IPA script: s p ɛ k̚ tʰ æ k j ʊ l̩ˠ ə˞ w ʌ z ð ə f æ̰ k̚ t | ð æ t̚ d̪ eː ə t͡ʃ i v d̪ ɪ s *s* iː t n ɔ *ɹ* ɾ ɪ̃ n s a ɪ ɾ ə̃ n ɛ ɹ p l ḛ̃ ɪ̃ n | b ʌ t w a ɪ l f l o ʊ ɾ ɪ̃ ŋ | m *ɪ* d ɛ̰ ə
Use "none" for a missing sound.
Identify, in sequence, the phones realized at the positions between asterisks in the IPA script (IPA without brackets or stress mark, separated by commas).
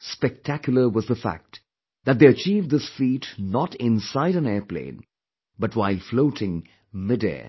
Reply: f, none, ɪ